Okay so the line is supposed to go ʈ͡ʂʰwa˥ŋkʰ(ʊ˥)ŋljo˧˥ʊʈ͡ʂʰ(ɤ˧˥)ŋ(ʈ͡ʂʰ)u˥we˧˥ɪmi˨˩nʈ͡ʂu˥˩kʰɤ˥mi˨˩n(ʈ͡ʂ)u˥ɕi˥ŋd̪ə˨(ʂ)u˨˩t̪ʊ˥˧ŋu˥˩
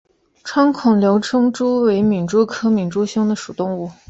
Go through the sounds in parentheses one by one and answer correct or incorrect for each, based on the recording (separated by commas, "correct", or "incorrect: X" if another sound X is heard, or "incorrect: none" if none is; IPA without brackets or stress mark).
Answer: incorrect: ʊ˨˩, incorrect: ɤ˥, incorrect: ʈ͡ʂ, correct, correct